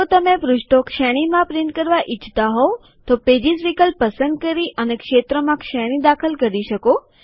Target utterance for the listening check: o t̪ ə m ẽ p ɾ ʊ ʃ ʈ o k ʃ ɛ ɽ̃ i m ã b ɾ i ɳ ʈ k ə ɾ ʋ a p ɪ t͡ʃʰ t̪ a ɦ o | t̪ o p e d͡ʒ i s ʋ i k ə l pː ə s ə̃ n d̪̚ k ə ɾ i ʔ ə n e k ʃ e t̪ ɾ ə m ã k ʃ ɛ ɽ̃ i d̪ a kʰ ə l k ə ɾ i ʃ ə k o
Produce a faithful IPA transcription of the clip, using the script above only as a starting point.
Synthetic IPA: o t̪ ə m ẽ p ɾ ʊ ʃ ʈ o k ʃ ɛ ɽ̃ i m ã p ɾ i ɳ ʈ k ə ɾ ʋ a ʔ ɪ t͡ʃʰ t̪ a ɦ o | t̪ o p e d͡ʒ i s ʋ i k ə l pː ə s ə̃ n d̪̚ k ə ɾ i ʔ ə n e k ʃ e t̪ ɾ ə m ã k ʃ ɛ ɽ̃ i d̪ a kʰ ə l k ə ɾ i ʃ ə k o